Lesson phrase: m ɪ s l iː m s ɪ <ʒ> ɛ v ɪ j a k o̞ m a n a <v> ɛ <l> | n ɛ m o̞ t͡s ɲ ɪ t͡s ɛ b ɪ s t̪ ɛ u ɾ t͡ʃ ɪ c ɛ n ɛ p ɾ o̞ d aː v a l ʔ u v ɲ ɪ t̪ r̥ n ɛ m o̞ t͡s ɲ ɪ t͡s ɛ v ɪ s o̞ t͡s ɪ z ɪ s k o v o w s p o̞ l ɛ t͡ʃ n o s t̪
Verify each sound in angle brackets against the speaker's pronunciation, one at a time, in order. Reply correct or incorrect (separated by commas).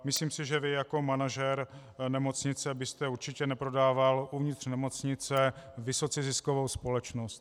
correct, incorrect, incorrect